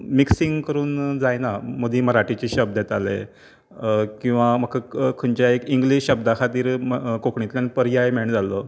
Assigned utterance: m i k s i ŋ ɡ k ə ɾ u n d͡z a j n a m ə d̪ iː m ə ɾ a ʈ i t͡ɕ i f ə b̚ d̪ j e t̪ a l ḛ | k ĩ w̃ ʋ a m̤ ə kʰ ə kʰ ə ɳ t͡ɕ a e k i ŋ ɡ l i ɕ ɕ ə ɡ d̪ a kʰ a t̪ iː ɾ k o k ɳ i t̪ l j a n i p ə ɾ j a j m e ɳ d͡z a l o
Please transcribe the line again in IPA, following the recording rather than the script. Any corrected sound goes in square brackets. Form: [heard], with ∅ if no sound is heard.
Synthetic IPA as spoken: m i k s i ŋ ɡ k ə ɾ [uː] n d͡z a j n a m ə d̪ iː m ə ɾ a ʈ i t͡ɕ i [ɕ] ə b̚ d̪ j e t̪ a l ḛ | k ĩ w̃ ʋ a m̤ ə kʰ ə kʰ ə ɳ t͡ɕ a e k i ŋ ɡ l i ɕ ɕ ə [b] d̪ a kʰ a t̪ iː ɾ k o k ɳ i t̪ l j a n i p ə ɾ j a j m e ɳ d͡z a l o